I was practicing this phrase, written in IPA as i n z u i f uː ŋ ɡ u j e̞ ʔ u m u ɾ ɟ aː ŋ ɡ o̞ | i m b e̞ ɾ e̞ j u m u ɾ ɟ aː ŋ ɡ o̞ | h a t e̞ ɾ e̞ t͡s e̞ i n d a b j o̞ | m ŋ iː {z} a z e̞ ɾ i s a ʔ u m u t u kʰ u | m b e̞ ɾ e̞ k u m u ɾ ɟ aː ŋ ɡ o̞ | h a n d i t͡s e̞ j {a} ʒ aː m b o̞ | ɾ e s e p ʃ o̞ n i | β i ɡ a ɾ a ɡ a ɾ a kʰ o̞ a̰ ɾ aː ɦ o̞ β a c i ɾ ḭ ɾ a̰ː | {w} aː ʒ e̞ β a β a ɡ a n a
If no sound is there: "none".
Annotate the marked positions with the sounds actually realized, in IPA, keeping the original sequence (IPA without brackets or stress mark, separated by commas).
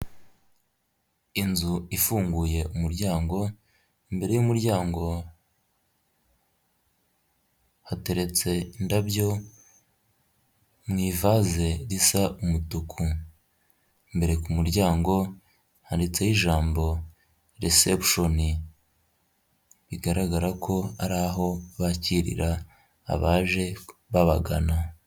v, i, β